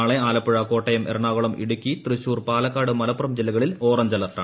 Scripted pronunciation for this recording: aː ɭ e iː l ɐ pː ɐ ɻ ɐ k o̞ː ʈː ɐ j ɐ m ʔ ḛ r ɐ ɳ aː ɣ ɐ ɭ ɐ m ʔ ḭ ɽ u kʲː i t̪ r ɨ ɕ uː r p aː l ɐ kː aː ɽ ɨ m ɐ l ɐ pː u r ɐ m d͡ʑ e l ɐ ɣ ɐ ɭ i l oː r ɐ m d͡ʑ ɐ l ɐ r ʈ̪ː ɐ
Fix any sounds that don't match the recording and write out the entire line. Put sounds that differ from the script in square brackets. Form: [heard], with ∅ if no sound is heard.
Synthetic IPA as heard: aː ɭ e [aː] l ɐ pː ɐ ɻ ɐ k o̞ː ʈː ɐ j ɐ m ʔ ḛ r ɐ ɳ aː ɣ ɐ ɭ ɐ m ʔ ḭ ɽ u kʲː i t̪ r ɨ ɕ uː r p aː l ɐ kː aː ɽ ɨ m ɐ l ɐ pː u r ɐ m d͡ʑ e l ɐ ɣ ɐ ɭ i l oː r ɐ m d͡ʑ ɐ l ɐ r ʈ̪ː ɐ